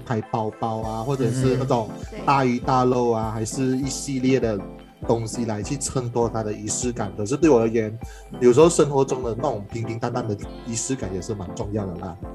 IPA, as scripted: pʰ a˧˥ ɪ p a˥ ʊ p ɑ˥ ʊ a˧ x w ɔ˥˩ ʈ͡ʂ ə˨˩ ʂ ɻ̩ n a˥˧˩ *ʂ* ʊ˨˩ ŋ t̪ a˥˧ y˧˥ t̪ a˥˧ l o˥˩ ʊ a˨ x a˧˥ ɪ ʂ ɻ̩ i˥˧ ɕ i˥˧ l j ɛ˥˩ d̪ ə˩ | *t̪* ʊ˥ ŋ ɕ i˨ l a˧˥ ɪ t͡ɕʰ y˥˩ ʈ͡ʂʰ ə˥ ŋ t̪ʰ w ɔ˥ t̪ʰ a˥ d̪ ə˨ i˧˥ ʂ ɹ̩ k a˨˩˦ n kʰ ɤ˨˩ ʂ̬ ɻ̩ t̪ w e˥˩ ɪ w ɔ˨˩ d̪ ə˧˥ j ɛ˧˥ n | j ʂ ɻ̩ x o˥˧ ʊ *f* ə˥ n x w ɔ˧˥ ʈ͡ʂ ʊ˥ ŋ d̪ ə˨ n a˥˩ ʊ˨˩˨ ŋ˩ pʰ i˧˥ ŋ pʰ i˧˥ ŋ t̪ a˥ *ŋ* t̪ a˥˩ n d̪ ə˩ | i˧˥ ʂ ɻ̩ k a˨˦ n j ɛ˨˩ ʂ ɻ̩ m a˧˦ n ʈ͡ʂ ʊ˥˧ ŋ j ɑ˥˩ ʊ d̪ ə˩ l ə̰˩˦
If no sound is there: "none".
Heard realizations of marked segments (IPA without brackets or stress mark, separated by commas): ʈ͡ʂ, t̪, ʂ, n